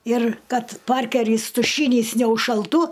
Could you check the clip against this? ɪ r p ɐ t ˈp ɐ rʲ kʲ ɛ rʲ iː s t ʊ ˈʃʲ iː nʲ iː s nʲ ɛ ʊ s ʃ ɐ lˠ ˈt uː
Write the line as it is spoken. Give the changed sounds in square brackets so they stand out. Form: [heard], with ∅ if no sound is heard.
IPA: ɪ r [k] ɐ t ˈp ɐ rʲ kʲ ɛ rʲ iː s t ʊ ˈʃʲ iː nʲ iː s nʲ ɛ ʊ [ʃ] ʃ ɐ lˠ ˈt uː